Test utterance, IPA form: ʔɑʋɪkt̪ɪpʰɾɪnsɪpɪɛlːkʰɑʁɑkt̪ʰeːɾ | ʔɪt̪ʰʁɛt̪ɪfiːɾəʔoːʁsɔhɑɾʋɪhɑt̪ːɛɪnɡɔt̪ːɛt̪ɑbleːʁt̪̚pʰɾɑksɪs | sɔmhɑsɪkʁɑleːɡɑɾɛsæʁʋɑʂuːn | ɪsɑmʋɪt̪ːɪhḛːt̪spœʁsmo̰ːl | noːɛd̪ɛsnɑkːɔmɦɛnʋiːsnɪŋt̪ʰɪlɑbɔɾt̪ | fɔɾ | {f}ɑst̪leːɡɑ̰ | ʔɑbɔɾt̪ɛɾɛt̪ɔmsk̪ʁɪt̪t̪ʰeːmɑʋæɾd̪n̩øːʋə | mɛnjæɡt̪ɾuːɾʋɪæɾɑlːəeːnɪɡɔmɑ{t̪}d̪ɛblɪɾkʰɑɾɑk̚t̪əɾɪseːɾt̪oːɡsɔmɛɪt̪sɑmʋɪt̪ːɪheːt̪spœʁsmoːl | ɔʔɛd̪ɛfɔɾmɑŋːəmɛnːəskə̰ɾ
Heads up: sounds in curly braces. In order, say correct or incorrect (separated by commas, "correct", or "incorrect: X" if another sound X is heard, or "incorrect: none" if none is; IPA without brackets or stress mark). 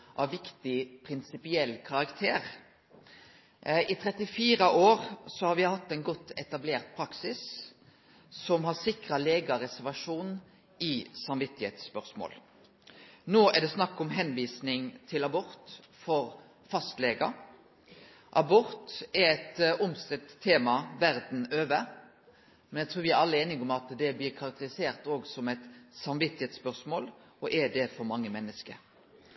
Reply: correct, correct